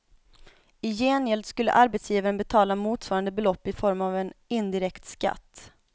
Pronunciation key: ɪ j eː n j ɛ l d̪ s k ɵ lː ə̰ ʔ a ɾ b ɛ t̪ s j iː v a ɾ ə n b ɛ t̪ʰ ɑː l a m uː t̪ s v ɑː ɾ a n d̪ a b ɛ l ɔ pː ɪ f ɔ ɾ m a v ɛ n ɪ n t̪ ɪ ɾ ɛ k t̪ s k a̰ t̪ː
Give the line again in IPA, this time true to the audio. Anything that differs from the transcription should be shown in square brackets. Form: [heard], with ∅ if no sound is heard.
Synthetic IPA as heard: ɪ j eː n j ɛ l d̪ s k ɵ lː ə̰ ʔ a ɾ b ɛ t̪ s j iː v a ɾ ə n b ɛ t̪ʰ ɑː l a m uː t̪ s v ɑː ɾ a n d̪ [ə] b ɛ l ɔ pː ɪ f ɔ ɾ m a v ɛ n ɪ n [d̪] ɪ ɾ ɛ k t̪ s k a̰ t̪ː

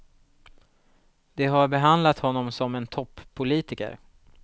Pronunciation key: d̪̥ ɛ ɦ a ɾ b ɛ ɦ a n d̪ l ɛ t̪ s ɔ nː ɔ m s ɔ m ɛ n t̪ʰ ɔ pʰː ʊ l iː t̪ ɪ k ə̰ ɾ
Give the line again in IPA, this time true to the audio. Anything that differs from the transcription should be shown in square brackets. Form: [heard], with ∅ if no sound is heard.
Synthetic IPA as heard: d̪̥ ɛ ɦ a ɾ b ɛ ɦ a n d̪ l [a] t̪ [h] ɔ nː ɔ m s ɔ m ɛ n t̪ʰ ɔ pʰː ʊ l iː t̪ ɪ k ə̰ ɾ

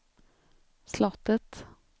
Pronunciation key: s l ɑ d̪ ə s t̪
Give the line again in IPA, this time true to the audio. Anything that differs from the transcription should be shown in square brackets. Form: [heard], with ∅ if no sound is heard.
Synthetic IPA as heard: s l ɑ [t̪] ə [∅] t̪

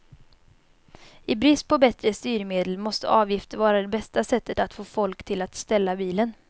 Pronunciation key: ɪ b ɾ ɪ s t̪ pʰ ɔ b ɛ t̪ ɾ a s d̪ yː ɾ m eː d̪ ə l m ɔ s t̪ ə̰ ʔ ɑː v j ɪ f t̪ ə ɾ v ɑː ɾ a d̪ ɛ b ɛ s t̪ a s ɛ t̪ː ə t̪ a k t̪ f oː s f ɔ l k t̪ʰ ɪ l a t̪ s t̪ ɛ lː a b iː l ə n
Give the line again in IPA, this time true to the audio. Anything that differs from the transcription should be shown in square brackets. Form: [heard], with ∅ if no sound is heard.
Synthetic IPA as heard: ɪ b ɾ ɪ s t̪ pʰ ɔ b ɛ t̪ ɾ [ə] s [t̪] yː ɾ m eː d̪ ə l m ɔ s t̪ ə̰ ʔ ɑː v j ɪ f t̪ ə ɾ v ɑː ɾ a d̪ ɛ b ɛ s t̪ a s ɛ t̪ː ə t̪ a [∅] t̪ f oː [∅] f ɔ l k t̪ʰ ɪ l a t̪ s t̪ ɛ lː a b iː l ə n

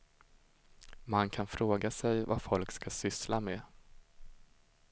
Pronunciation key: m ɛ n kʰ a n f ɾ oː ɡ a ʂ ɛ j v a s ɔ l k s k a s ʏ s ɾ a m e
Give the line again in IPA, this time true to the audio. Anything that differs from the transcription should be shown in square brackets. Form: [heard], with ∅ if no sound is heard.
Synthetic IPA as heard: m [a] n kʰ a n f ɾ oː ɡ a [s] ɛ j v a [f] ɔ l k s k a s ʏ s [l] a m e

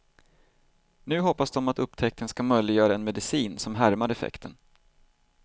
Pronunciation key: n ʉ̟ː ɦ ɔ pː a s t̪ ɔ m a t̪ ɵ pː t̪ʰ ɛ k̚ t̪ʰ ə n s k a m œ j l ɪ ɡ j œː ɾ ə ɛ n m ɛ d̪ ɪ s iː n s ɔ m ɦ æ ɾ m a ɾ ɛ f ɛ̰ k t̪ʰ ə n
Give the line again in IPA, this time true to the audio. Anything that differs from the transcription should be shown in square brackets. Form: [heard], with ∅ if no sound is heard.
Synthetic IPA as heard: n ʉ̟ː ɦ ɔ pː a s [d̪] ɔ m a t̪ ɵ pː t̪ʰ ɛ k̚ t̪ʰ ə n s k a m œ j l ɪ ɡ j œː ɾ [a] ɛ n m ɛ d̪ ɪ s iː n s ɔ m ɦ æ ɾ m a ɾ ɛ f ɛ̰ k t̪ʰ ə n

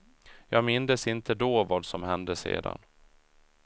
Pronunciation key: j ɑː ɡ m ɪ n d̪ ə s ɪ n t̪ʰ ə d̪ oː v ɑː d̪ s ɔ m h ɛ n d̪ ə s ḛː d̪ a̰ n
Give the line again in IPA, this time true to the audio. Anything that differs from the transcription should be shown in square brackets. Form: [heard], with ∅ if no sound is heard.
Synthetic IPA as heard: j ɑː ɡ m ɪ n d̪ ə s ɪ n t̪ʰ ə d̪ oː v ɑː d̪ s ɔ m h ɛ n d̪ ə s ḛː d̪ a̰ n

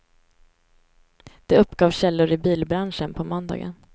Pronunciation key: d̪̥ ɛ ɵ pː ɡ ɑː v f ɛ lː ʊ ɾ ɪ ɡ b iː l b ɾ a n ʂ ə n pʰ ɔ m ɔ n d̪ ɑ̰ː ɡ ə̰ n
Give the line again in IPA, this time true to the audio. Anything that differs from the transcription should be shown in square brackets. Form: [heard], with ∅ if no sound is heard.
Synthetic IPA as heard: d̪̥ ɛ ɵ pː ɡ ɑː v [ɕ] ɛ lː ʊ ɾ ɪ [∅] b iː l b ɾ a n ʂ ə n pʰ ɔ m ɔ n d̪ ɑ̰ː ɡ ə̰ n

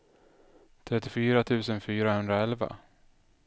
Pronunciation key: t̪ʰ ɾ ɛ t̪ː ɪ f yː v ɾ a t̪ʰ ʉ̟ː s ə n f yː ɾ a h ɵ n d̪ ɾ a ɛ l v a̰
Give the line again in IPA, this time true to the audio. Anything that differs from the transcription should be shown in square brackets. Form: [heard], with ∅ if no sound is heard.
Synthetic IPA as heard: t̪ʰ ɾ ɛ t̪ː ɪ f yː [∅] ɾ a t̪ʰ ʉ̟ː s ə n f yː ɾ a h ɵ n d̪ ɾ a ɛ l v a̰

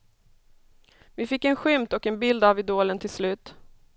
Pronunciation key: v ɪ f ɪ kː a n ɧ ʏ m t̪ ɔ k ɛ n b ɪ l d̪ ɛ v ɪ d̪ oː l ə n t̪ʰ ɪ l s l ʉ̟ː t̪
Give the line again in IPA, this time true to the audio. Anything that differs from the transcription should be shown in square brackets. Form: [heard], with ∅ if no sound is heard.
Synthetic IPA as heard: v ɪ f ɪ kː [ɛ] n ɧ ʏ m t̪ ɔ k ɛ n b ɪ l d̪ [a] v ɪ d̪ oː l ə n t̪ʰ ɪ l s l ʉ̟ː t̪

